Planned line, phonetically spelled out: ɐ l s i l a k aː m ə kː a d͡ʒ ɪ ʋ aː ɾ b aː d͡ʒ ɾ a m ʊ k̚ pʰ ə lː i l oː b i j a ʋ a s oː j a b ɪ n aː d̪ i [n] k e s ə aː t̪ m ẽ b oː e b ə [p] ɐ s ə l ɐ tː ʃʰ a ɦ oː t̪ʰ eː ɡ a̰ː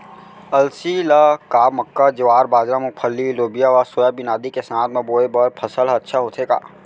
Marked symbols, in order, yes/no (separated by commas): no, no